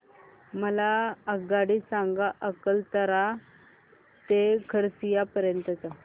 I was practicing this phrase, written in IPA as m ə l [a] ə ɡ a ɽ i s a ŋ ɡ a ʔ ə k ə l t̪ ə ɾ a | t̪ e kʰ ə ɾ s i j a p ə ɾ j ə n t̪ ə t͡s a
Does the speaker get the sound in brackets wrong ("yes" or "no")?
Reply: no